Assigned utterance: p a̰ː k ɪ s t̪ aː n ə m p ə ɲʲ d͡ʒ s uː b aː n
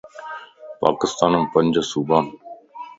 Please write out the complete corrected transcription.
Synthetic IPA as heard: p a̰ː k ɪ s t̪ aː n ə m p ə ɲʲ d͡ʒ s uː b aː n